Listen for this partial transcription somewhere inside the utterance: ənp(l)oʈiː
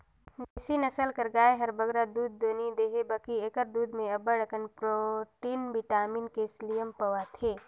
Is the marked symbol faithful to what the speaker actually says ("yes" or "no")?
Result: no